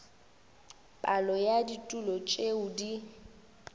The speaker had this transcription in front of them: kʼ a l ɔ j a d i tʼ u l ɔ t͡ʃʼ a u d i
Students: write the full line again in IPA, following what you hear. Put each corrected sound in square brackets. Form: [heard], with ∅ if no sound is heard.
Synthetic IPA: [pʼ] a l ɔ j a d i tʼ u l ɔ t͡ʃʼ [e] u d i